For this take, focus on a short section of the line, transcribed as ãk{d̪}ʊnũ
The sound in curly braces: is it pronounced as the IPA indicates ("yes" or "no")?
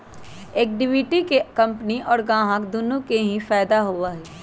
yes